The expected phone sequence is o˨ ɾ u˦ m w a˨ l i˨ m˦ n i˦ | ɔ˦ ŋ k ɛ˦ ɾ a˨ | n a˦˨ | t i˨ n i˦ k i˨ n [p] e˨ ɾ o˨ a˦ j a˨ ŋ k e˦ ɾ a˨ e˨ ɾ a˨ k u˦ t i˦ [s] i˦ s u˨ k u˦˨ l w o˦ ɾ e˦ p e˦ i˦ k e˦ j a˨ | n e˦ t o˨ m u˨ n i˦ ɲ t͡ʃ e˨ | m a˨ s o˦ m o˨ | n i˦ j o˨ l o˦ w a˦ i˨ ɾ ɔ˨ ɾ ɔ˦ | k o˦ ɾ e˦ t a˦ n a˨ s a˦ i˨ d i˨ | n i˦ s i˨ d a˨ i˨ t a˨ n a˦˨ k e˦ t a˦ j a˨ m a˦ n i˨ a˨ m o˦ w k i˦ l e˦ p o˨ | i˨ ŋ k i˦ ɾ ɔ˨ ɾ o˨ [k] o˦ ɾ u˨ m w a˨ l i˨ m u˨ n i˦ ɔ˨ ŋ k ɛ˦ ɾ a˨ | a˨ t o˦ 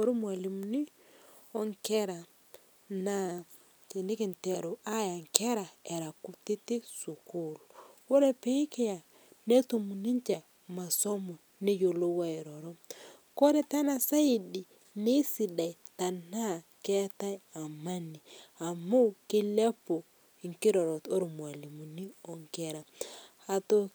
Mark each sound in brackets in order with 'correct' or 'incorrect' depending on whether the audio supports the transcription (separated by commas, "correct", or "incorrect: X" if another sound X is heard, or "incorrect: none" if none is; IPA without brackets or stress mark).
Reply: incorrect: t, incorrect: t, incorrect: t